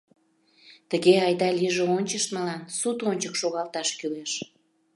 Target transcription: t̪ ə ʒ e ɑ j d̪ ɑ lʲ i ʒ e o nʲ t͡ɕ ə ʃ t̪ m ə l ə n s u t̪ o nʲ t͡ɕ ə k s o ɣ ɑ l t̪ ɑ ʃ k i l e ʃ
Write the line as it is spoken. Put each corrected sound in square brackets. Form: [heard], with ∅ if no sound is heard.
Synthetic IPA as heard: t̪ ə [ɣ] e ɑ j d̪ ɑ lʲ i ʒ e o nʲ t͡ɕ ə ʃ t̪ m ə l [ɑ] n s u t̪ o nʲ t͡ɕ ə k [ʃ] o ɣ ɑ l t̪ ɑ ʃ k [y] l e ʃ